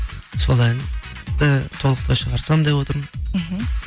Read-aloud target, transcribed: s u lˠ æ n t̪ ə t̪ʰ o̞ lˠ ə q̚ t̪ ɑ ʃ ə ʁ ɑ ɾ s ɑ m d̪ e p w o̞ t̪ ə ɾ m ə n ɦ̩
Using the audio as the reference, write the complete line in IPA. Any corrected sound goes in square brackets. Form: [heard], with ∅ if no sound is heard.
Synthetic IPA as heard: s [o] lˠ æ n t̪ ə t̪ʰ o̞ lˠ ə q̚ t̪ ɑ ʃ ə ʁ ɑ ɾ s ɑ m d̪ e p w o̞ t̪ ə ɾ m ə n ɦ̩